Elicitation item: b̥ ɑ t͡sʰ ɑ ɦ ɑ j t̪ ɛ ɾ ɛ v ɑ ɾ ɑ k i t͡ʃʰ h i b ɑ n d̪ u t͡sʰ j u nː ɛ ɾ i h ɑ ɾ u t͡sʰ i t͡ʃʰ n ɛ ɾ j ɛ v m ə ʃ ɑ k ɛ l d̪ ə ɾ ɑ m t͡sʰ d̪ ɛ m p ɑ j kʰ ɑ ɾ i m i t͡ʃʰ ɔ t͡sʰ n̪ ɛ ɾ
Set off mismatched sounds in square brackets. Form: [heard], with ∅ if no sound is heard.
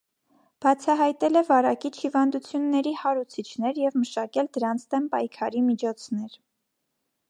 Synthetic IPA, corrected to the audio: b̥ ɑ t͡sʰ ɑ ɦ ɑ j t̪ ɛ [l] ɛ v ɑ ɾ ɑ k i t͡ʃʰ h i [v] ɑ n d̪ u t͡sʰ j u nː ɛ ɾ i h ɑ ɾ u t͡sʰ i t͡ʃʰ n ɛ ɾ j ɛ v m ə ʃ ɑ k ɛ l d̪ ə ɾ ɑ [n] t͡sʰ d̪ ɛ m p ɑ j kʰ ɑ ɾ i m i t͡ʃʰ ɔ t͡sʰ n̪ ɛ ɾ